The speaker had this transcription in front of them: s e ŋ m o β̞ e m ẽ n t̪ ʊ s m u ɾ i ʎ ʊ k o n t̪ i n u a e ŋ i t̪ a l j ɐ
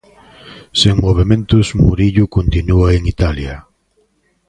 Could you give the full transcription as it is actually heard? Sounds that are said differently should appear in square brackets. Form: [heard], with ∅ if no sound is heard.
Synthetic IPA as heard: s e ŋ m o β̞ e m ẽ n t̪ ʊ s m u ɾ i ʎ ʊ k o n t̪ i n u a e ŋ i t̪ a l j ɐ